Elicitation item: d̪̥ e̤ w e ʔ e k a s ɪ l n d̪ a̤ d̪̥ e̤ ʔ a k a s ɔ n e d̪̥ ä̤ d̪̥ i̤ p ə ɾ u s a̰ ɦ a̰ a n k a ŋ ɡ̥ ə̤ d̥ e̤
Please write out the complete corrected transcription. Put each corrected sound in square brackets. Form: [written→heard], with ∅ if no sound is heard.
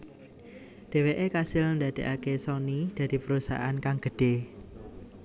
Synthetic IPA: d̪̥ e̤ w e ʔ e k a s ɪ l n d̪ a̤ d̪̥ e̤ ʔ a k [a→e] s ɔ n [e→i] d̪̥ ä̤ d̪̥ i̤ p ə ɾ u s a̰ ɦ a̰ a n k a ŋ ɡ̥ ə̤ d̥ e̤